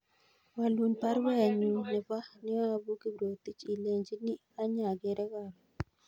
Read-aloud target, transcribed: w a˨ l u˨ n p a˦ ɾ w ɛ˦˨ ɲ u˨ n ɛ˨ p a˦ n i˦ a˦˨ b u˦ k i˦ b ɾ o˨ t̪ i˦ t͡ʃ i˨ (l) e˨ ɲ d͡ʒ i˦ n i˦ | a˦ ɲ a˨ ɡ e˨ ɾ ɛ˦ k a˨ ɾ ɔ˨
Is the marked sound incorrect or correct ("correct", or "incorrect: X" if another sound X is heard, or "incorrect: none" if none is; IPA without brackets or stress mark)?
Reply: correct